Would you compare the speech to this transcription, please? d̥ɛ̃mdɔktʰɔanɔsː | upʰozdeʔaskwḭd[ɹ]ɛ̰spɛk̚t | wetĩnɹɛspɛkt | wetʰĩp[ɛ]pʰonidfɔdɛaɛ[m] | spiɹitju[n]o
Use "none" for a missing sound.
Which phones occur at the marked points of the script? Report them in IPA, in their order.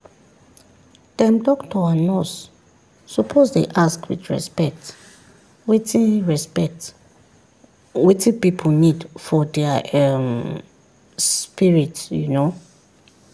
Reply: ɹ, i, m, n

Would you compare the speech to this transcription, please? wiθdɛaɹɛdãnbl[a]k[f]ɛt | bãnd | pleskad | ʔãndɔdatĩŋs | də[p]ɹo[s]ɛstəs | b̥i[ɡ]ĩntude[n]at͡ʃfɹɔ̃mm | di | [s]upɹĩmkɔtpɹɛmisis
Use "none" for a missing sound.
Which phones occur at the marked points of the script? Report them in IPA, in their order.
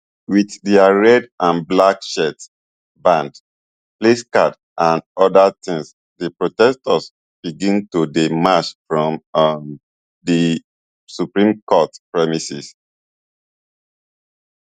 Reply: a, ʃ, p, t, ɡ, m, s

